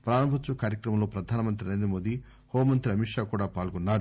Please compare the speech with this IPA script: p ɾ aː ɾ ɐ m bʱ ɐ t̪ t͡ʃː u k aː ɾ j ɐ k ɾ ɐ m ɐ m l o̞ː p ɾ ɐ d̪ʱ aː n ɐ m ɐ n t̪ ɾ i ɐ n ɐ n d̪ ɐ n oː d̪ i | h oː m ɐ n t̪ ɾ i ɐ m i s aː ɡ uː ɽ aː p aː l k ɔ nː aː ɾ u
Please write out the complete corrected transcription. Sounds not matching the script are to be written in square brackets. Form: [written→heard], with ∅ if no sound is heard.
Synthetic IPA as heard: p ɾ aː ɾ ɐ m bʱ ɐ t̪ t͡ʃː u k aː ɾ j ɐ k ɾ ɐ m ɐ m l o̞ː p ɾ ɐ d̪ʱ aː n ɐ m ɐ n t̪ ɾ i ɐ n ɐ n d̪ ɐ [n→m] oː d̪ i | h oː m ɐ n t̪ ɾ i ɐ m i [s→ʂ] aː [ɡ→k] uː ɽ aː p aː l [k→ɡ] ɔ nː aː ɾ u